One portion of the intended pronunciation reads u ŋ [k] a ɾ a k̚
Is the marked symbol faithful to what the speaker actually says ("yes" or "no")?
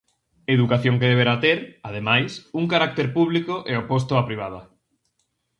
yes